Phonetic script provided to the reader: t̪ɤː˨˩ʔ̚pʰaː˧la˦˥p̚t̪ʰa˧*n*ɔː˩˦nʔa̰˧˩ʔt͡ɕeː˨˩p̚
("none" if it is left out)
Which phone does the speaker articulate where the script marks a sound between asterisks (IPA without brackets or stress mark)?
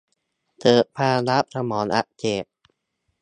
m